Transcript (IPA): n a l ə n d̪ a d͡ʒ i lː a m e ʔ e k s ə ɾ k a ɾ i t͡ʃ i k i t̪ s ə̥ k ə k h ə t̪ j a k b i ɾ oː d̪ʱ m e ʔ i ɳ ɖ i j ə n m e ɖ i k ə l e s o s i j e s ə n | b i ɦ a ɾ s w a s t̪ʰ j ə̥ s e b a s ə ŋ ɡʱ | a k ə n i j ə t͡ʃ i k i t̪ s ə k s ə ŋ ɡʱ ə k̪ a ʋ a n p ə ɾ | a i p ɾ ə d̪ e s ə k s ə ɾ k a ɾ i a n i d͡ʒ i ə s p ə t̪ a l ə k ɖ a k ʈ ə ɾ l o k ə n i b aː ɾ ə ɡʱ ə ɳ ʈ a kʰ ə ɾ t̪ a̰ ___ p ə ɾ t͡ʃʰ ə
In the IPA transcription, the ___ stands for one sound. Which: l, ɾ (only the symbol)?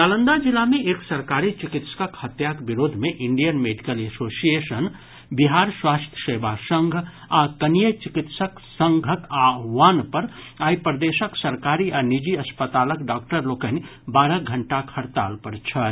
l